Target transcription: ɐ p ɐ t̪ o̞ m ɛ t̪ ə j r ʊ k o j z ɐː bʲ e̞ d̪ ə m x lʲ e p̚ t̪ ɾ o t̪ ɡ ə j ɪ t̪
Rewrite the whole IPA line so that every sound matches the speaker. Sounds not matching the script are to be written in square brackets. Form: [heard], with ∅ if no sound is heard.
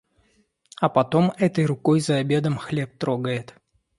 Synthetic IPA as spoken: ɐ p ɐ t̪ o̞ m ɛ t̪ ə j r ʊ k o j z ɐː bʲ e̞ d̪ ə m x lʲ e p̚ t̪ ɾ o [∅] ɡ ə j ɪ t̪